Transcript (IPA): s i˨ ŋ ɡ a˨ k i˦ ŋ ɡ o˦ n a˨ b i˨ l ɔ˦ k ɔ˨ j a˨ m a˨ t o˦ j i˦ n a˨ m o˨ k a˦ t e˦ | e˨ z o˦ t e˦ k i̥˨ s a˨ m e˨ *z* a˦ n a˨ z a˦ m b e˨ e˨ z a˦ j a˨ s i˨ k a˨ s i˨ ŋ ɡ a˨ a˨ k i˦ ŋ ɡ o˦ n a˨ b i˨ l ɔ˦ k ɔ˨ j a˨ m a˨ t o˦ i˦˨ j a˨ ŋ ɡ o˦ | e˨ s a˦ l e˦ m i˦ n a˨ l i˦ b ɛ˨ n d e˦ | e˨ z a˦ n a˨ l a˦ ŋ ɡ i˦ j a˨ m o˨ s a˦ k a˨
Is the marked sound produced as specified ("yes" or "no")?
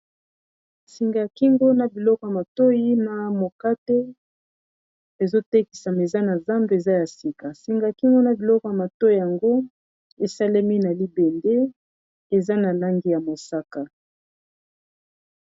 yes